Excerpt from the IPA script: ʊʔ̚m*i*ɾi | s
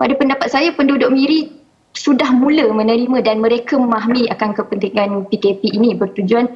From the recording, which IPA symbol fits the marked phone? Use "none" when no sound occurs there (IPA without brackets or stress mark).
i